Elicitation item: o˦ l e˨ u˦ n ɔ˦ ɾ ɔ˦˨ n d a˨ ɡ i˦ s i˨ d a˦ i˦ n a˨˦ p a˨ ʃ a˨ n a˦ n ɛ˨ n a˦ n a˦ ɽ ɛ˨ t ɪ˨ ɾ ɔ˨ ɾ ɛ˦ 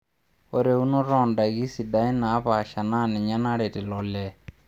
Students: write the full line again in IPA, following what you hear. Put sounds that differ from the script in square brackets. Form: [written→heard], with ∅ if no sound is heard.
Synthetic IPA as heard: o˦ [l→ɾ] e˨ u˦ n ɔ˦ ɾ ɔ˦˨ n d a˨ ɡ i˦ s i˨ d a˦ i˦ n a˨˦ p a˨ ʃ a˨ n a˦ n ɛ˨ [n→ɲ] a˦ n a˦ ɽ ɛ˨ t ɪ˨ [ɾ→l] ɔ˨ [ɾ→l] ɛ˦